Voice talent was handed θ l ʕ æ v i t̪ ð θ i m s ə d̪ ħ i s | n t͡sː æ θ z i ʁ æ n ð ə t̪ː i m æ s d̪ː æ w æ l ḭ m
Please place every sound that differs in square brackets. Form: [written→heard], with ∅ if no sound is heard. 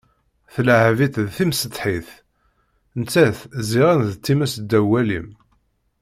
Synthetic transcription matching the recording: θ l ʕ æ v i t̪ ð θ i m s ə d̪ ħ i [s→θ] | n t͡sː æ θ z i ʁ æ n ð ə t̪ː i m æ s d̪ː æ w æ l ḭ m